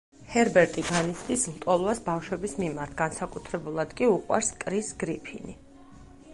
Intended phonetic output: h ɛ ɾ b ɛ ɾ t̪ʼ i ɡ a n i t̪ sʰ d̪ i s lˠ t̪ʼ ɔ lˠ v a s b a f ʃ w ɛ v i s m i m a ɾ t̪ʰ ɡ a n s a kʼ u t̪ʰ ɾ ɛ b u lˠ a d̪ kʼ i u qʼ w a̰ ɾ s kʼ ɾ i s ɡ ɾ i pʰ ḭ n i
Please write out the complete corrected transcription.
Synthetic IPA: h ɛ ɾ b ɛ ɾ t̪ʼ i ɡ a n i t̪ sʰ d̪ i s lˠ t̪ʼ ɔ lˠ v a s b a f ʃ w ɛ b i s m i m a ɾ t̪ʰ ɡ a n s a kʼ u t̪ʰ ɾ ɛ b u lˠ a d̪ kʼ i u qʼ w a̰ ɾ s kʼ ɾ i s ɡ ɾ i pʰ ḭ n i